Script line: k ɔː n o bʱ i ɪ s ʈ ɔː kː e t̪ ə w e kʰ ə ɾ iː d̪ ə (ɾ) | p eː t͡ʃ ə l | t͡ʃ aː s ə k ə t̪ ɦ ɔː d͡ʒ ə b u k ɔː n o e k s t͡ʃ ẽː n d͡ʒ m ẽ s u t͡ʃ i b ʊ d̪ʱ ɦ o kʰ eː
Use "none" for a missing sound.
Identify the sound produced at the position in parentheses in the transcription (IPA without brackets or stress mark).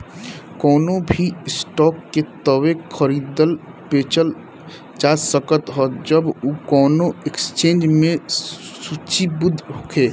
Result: l